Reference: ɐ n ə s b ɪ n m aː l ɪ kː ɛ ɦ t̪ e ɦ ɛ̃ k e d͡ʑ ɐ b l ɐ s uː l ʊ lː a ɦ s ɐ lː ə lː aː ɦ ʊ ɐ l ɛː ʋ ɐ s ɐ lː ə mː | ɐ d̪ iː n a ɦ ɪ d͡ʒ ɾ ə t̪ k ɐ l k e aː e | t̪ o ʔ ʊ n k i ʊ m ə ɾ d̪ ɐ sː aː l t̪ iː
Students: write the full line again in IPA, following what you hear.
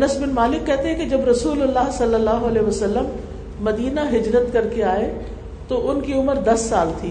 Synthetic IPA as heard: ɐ n ə s b ɪ n m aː l ɪ kː ɛ ɦ t̪ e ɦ ɛ̃ k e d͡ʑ ɐ b ɾ ɐ s uː l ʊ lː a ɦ s ɐ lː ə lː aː ɦ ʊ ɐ l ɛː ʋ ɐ s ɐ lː ə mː | ɐ d̪ iː n a ɦ ɪ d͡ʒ ɾ ə t̪ k ɐ ɾ k e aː e | t̪ o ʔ ʊ n k i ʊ m ə ɾ d̪ ɐ sː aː l t̪ʰ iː